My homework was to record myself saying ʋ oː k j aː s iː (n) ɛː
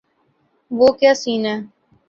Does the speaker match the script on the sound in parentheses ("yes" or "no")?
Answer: yes